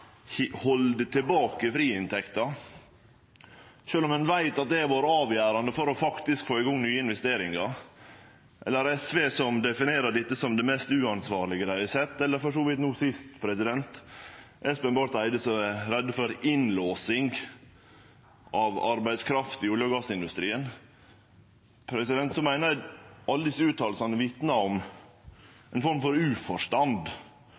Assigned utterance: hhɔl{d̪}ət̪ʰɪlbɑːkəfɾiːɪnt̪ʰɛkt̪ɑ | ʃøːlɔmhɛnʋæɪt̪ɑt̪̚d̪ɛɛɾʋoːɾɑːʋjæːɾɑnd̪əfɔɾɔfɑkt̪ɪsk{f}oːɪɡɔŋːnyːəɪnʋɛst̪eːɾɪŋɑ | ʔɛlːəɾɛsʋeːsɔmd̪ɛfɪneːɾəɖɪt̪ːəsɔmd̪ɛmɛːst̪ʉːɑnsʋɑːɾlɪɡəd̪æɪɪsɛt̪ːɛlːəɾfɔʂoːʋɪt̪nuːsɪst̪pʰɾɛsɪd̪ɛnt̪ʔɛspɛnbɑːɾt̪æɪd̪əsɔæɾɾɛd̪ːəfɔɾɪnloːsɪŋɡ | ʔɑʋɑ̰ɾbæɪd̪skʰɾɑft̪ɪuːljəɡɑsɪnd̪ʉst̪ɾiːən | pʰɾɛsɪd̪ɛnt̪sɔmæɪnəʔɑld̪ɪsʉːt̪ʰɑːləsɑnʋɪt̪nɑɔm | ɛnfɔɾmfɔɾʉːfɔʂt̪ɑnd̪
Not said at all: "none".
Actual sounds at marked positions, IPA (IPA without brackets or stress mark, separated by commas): d̪, f